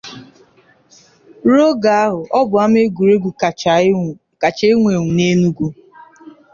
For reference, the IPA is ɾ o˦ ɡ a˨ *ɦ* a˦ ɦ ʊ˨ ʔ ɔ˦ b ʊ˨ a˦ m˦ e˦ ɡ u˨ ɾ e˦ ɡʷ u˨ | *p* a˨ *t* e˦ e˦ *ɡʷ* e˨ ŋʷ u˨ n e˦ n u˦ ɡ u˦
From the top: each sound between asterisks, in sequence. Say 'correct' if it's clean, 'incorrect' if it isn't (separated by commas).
incorrect, incorrect, incorrect, incorrect